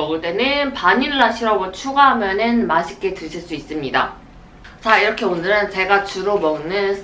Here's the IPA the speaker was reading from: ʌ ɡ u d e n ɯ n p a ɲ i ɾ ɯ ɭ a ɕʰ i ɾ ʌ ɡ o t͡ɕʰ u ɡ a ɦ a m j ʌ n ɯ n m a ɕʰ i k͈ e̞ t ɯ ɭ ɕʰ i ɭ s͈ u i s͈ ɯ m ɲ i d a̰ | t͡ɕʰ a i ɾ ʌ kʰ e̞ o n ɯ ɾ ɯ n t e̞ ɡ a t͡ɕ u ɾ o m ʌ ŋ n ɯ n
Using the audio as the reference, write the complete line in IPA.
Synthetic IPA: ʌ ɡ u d e n ɯ n p a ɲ i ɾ ɯ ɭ a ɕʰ i ɾ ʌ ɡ o t͡ɕʰ u ɡ a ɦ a m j ʌ n ɯ n m a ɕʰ i k͈ e̞ t ɯ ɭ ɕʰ i ɭ s͈ u i s͈ ɯ m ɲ i d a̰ | t͡ɕ a i ɾ ʌ kʰ e̞ o n ɯ ɾ ɯ n t͡ɕ e̞ ɡ a t͡ɕ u ɾ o m ʌ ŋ n ɯ n